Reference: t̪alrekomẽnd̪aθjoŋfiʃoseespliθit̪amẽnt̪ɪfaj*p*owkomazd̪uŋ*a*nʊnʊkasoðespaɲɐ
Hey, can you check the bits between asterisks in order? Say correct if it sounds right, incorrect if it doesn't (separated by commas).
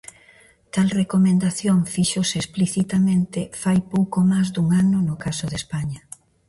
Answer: correct, correct